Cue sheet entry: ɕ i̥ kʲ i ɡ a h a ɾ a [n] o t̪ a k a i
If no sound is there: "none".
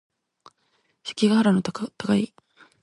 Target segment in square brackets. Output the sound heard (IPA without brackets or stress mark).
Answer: n